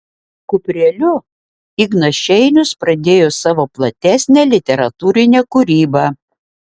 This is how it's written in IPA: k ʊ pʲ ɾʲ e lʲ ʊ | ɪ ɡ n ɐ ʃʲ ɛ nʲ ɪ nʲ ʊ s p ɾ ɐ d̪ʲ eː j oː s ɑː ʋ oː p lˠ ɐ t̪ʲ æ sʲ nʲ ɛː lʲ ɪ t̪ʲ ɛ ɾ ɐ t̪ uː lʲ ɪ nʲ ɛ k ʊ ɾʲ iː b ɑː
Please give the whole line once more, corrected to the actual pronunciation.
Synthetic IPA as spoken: k ʊ pʲ ɾʲ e lʲ ʊ | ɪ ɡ n ɐ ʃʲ ɛ ɪ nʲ ʊ s p ɾ ɐ d̪ʲ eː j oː s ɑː ʋ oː p lˠ ɐ t̪ʲ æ sʲ nʲ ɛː lʲ ɪ t̪ʲ ɛ ɾ ɐ t̪ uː ɾʲ ɪ nʲ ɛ k ʊ ɾʲ iː b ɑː

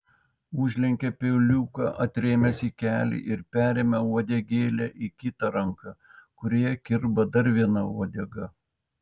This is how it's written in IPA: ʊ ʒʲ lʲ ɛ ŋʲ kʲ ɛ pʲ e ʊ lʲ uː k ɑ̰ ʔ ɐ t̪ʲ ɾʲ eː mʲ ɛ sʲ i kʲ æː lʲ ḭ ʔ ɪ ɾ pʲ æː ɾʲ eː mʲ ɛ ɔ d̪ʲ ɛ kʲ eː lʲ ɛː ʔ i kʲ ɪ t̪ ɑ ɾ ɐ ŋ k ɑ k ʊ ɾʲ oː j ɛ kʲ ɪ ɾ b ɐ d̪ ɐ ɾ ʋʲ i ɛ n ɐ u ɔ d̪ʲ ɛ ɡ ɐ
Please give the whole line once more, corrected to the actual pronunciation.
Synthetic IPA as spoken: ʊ ʒʲ lʲ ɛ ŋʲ kʲ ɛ pʲ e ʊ lʲ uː k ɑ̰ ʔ ɐ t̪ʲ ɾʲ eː mʲ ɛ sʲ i kʲ æː lʲ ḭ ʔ ɪ ɾ pʲ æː ɾʲ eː mʲ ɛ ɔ d̪ʲ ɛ ɡʲ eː lʲ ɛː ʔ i kʲ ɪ t̪ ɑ ɾ ɐ ŋ k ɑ k ʊ ɾʲ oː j ɛ kʲ ɪ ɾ b ɐ d̪ ɐ ɾ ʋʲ i ɛ n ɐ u ɔ d̪ʲ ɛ ɡ ɐ

